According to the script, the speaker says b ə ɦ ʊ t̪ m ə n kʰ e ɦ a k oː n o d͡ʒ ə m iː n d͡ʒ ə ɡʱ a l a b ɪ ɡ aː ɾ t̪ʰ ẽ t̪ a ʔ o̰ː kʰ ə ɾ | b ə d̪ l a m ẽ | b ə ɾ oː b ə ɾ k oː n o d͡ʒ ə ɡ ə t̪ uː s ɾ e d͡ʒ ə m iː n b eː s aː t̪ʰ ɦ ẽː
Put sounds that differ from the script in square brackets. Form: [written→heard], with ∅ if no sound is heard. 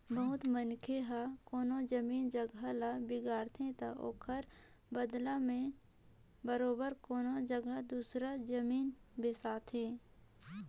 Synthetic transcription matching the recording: b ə ɦ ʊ t̪ m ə n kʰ e ɦ a k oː n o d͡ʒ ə m iː n d͡ʒ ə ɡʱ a l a b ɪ ɡ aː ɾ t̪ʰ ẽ t̪ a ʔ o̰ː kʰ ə ɾ | b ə d̪ l a m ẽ | b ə ɾ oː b ə ɾ k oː n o d͡ʒ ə ɡ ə [t̪→d̪] uː s ɾ [e→a] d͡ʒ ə m iː n b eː s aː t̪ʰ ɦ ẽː

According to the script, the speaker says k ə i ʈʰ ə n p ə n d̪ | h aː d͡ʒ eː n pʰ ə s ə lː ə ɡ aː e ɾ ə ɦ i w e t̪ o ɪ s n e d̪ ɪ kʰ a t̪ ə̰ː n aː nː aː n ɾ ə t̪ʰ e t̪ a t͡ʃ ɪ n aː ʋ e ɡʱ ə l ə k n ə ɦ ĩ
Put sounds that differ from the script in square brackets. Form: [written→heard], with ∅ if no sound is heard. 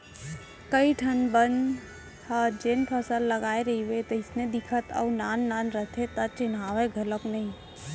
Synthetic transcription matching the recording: k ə i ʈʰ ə n [p→b] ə n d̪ | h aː d͡ʒ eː n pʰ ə s ə lː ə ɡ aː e ɾ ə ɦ i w e t̪ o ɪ s n e d̪ ɪ kʰ [a→ə] t̪ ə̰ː n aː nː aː n ɾ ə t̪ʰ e t̪ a t͡ʃ ɪ n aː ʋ e ɡʱ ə l ə k n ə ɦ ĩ

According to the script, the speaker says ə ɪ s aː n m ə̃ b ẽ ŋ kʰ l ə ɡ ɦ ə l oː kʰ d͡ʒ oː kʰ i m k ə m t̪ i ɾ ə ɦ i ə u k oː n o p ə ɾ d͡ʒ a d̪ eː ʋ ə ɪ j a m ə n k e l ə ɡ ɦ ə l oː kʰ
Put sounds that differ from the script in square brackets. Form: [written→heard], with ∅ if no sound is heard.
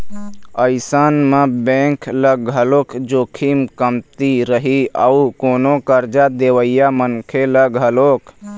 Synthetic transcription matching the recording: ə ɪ s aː n m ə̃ b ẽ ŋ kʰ l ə ɡ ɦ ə l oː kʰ d͡ʒ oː kʰ i m k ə m t̪ i ɾ ə ɦ i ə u k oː n o [p→k] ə ɾ d͡ʒ a d̪ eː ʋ ə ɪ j a m ə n [k→kʰ] e l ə ɡ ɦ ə l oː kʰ

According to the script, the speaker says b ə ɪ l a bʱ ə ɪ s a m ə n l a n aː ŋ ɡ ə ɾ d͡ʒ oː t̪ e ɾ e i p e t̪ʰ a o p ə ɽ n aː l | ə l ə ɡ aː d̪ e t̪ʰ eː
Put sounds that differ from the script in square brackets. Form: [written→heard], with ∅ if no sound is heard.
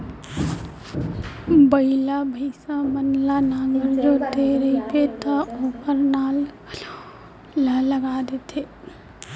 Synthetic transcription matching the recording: b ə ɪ l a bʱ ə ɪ s a m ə n l a n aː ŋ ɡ ə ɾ d͡ʒ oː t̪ e ɾ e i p e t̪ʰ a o p ə [ɽ→ɾ] n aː l | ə l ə ɡ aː d̪ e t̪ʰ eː

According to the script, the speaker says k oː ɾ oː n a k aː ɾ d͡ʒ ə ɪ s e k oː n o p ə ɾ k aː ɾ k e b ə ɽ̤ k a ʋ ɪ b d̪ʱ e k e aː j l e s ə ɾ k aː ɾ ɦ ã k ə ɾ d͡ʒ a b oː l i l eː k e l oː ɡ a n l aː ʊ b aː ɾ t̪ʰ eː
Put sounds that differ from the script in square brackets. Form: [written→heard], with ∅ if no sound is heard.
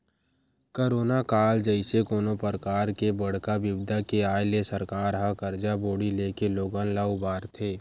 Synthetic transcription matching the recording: k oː ɾ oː n a k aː [ɾ→l] d͡ʒ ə ɪ s e k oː n o p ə ɾ k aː ɾ k e b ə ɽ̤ k a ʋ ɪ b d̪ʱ [e→a] k e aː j l e s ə ɾ k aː ɾ ɦ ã k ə ɾ d͡ʒ a b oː [l→ɽ] i l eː k e l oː ɡ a n l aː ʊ b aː ɾ t̪ʰ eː

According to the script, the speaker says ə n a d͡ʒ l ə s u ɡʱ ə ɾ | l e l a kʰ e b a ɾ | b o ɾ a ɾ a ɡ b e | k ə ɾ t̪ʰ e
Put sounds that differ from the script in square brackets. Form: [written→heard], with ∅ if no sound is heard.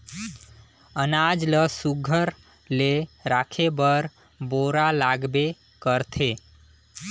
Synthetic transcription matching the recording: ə n a d͡ʒ l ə s u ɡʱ ə ɾ | l e [l→ɾ] a kʰ e b [a→ə] ɾ | b o ɾ a [ɾ→l] a ɡ b e | k ə ɾ t̪ʰ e

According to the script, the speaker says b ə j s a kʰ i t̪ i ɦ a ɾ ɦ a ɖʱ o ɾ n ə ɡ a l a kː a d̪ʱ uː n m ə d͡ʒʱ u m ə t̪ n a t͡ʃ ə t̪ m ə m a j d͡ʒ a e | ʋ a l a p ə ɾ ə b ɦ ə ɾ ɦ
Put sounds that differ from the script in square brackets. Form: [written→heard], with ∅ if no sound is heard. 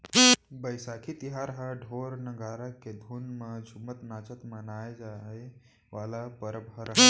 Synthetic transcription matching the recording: b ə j s a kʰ i t̪ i ɦ a ɾ ɦ a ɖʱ o ɾ n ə ɡ a [l→ɾ] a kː [a→e] d̪ʱ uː n m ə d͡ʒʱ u m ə t̪ n a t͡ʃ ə t̪ m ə [m→n] a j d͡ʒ a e | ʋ a l a p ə ɾ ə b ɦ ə ɾ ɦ

